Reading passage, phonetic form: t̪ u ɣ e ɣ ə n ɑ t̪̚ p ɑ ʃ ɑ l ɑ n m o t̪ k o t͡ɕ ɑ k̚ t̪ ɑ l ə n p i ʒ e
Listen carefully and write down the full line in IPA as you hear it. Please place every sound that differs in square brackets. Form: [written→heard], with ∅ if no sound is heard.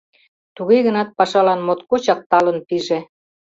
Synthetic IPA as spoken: t̪ u ɣ e ɣ ə n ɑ t̪̚ p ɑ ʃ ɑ l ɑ n m o t̪ k o t͡ɕ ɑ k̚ t̪ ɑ l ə n p i ʒ e